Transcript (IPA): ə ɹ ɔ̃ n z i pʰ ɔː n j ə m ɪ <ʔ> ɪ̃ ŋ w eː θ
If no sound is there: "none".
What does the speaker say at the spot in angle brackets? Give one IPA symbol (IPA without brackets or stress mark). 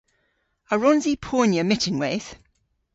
t